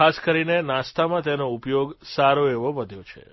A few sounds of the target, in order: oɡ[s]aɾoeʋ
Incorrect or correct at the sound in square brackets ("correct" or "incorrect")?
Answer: correct